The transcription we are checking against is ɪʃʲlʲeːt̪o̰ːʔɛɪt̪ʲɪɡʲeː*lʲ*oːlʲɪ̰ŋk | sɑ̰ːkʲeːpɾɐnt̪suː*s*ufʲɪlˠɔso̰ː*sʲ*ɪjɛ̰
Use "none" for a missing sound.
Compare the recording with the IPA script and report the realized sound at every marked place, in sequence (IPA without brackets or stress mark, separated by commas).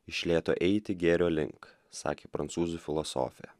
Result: ɾʲ, z, fʲ